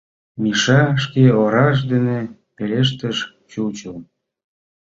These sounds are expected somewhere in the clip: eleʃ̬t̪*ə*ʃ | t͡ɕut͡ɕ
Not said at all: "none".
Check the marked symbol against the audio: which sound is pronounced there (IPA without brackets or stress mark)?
ə